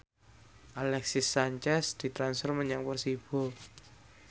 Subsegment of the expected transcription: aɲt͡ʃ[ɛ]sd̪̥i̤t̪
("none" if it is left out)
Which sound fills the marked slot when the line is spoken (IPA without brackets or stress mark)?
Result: ɛ